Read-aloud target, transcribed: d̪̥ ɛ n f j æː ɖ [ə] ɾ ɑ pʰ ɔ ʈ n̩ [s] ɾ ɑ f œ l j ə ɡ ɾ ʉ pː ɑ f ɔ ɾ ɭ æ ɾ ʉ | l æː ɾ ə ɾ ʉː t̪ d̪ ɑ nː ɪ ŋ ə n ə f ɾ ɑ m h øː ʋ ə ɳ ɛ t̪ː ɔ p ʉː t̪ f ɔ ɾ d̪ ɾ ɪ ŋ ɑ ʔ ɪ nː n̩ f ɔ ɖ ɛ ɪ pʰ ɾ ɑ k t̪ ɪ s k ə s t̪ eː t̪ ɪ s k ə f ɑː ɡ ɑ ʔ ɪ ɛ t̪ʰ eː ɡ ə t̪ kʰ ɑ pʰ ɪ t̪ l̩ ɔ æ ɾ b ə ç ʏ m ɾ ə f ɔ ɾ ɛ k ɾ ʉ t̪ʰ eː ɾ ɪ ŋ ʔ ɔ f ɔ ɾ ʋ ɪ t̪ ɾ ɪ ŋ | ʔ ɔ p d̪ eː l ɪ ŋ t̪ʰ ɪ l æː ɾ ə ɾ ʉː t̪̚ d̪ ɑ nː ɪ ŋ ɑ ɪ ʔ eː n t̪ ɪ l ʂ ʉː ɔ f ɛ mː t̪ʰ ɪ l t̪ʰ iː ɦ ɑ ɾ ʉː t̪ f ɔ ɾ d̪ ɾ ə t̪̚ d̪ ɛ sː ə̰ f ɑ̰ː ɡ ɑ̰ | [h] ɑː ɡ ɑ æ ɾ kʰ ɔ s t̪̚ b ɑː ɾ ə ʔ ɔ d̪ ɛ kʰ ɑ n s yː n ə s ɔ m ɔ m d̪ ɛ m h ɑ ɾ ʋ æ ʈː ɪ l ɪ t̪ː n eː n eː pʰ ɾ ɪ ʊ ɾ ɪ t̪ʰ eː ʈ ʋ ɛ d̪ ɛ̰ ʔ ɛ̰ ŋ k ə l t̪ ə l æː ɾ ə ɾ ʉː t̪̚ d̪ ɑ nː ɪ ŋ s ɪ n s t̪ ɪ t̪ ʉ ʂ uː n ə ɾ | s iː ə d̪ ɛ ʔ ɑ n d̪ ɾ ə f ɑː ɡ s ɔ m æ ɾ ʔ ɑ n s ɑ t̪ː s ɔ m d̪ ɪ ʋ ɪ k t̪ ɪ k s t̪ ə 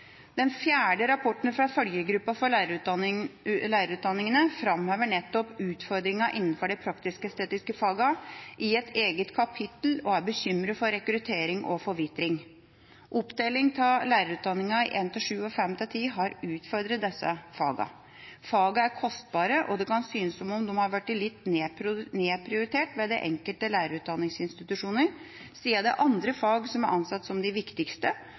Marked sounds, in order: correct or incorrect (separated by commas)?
correct, incorrect, incorrect